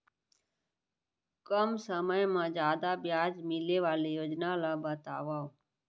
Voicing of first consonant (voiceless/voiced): voiceless